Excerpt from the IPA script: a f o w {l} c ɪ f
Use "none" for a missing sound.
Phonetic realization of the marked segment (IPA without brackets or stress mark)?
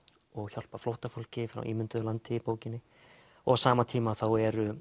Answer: l